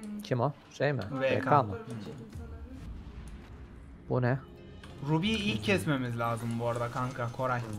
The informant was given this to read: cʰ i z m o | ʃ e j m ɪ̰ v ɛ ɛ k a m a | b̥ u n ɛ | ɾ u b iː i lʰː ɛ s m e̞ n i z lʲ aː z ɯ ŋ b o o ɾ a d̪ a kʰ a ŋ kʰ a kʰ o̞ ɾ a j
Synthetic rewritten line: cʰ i m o | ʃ e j m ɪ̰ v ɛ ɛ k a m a | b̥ u n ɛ | ɾ u b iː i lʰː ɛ s m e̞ m i z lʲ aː z ɯ m b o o ɾ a d̪ a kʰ a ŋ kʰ a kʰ o̞ ɾ a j